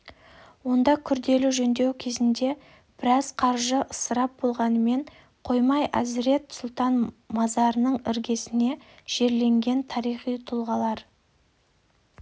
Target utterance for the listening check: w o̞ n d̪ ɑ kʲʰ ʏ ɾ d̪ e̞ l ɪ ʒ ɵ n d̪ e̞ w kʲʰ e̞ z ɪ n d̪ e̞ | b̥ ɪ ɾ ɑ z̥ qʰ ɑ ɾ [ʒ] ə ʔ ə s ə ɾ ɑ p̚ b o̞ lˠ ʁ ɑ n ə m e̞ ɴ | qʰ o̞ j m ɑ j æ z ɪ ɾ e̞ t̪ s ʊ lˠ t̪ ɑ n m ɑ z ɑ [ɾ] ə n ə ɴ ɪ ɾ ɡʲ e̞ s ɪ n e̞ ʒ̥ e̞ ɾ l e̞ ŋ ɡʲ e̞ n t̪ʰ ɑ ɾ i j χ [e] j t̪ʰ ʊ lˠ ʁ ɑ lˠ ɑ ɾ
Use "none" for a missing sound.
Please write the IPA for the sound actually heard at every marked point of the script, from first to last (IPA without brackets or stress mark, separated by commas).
ʒ, ɾ, i